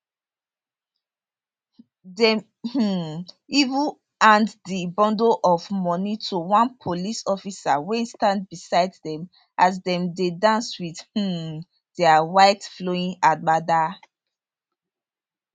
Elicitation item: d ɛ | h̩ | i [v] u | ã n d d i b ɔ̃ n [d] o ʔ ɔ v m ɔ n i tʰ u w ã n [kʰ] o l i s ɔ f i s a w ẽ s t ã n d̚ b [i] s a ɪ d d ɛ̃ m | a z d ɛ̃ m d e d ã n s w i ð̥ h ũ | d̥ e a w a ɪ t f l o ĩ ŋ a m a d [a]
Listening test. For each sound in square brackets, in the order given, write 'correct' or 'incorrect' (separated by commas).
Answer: correct, correct, incorrect, correct, correct